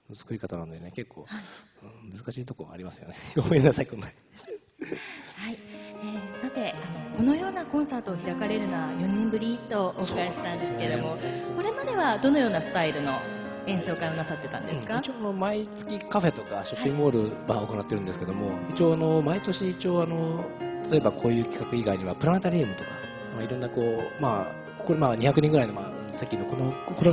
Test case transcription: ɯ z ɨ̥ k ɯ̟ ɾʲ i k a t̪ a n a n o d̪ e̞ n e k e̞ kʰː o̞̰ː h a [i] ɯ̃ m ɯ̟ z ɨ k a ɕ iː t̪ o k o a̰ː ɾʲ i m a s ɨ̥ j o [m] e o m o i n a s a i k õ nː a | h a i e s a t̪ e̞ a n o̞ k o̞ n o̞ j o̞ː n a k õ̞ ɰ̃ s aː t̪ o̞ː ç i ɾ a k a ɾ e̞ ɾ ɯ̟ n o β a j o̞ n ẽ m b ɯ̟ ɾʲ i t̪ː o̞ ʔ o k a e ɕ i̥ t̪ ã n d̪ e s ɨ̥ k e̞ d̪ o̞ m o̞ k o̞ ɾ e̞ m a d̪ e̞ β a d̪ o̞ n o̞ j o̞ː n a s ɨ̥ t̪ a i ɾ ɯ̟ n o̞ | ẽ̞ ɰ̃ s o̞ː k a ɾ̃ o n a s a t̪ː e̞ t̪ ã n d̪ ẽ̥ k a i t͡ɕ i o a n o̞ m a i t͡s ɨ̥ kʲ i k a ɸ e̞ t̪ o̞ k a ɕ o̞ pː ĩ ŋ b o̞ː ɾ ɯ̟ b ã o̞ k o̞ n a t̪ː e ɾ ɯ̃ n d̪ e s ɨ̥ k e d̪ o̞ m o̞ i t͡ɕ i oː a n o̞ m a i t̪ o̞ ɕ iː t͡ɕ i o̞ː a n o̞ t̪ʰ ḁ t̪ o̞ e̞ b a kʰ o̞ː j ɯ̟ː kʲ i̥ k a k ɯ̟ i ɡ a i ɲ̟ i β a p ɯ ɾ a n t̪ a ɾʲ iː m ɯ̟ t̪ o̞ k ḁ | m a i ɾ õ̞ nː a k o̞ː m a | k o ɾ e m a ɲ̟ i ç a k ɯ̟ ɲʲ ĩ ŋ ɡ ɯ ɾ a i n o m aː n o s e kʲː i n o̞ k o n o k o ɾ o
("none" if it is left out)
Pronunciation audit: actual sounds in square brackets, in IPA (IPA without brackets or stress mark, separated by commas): i, n